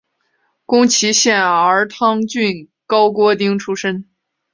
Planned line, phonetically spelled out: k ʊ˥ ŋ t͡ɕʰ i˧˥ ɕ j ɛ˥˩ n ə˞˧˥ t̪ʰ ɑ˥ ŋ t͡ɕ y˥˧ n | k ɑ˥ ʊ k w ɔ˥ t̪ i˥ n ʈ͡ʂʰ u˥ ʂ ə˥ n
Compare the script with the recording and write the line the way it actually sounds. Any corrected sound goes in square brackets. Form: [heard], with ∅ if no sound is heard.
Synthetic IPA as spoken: k ʊ˥ ŋ t͡ɕʰ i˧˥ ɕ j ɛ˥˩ n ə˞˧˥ t̪ʰ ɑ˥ ŋ t͡ɕ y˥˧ n | k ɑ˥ ʊ k w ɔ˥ t̪ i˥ [ŋ] ʈ͡ʂʰ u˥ ʂ ə˥ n